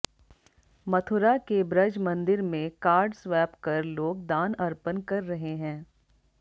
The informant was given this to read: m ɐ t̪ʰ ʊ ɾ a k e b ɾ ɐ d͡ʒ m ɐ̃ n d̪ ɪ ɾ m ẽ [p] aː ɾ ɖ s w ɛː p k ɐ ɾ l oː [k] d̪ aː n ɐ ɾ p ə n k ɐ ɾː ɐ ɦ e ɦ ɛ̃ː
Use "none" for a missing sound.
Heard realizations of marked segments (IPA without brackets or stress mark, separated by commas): k, ɡ